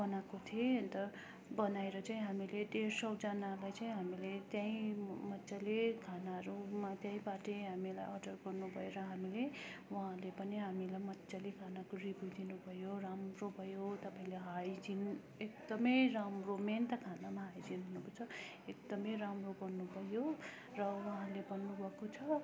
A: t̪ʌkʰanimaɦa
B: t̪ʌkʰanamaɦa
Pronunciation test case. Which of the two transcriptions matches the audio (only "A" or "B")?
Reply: B